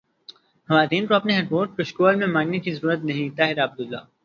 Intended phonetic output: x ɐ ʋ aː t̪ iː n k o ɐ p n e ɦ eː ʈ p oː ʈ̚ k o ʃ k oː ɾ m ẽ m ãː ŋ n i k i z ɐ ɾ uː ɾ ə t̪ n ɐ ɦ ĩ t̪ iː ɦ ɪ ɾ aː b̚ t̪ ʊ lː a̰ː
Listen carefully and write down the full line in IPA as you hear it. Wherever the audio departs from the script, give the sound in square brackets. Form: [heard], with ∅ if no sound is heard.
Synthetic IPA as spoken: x ɐ ʋ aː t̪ iː n k o ɐ p n e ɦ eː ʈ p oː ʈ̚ k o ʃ k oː [l] m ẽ m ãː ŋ n [e] k i z ɐ ɾ uː ɾ ə t̪ n ɐ ɦ ĩ t̪ [aː] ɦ ɪ ɾ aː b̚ [d̪] ʊ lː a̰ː